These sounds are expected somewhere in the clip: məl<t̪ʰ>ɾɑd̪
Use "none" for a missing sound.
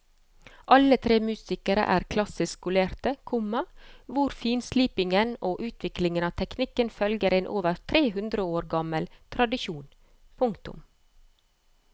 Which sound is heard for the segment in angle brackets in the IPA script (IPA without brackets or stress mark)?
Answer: t̪ʰ